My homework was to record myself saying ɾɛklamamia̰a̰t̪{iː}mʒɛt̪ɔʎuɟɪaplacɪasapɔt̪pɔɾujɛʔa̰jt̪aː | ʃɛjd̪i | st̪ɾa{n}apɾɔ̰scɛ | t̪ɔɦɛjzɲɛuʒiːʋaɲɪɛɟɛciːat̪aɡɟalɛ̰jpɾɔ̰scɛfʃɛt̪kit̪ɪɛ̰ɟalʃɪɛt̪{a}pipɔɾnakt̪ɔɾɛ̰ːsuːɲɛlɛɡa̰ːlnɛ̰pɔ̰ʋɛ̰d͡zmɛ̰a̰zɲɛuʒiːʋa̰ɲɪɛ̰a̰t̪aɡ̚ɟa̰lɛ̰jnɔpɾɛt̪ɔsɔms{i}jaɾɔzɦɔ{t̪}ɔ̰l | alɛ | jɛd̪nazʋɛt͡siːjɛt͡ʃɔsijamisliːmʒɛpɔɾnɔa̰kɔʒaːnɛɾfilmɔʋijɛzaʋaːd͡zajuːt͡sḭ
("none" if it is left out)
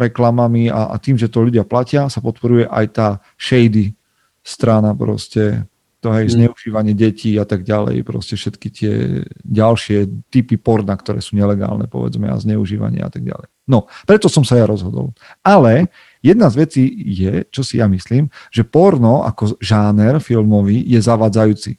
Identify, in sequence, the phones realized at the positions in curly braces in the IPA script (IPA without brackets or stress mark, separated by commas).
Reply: iː, n, i, a, d̪